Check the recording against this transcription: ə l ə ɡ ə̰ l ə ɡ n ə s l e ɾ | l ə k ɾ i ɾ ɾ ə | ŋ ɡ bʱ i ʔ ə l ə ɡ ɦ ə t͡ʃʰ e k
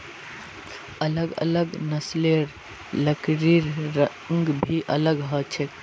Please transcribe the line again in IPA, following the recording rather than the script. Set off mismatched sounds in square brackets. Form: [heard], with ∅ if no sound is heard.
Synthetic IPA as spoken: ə l ə ɡ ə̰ l ə ɡ n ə s l e ɾ | l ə k ɾ i ɾ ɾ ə | ŋ ɡ bʱ i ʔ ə l ə ɡ ɦ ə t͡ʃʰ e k